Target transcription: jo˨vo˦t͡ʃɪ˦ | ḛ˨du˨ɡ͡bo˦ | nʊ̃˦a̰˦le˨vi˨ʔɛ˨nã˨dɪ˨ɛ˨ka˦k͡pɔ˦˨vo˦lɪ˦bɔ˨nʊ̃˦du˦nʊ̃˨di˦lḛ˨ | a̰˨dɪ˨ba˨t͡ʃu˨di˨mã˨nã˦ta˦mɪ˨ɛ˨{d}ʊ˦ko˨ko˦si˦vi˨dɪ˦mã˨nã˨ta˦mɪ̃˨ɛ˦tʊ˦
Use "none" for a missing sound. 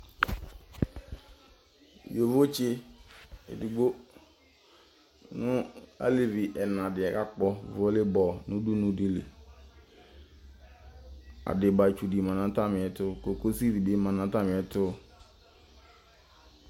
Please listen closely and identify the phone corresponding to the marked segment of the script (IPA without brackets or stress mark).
t